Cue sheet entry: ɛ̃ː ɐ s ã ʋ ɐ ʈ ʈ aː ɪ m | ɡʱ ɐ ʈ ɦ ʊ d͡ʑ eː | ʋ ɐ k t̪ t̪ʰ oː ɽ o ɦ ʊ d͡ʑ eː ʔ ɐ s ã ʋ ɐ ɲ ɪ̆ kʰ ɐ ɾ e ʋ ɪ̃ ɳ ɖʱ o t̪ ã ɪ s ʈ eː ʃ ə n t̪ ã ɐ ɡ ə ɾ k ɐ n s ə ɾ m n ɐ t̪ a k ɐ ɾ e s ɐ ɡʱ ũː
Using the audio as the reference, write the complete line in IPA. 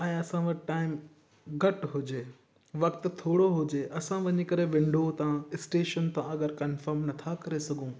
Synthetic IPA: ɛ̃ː ɐ s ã ʋ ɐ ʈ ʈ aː ɪ m | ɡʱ ɐ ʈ ɦ ʊ d͡ʑ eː | ʋ ɐ k t̪ t̪ʰ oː ɽ o ɦ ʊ d͡ʑ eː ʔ ɐ s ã ʋ ɐ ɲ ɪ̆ k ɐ ɾ e ʋ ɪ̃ ɳ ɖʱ o t̪ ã ɪ s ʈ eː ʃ ə n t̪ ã ɐ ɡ ə ɾ k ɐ n f ə ɾ m n ɐ t̪ʰ a k ɐ ɾ e s ɐ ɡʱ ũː